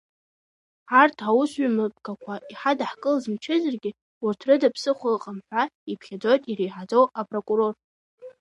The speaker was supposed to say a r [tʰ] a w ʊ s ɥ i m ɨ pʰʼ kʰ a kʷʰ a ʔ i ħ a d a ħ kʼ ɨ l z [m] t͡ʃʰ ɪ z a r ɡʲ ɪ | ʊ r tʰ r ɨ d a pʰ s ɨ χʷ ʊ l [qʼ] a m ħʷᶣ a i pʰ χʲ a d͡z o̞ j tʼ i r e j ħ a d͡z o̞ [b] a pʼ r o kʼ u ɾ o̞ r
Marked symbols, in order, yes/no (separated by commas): yes, yes, yes, no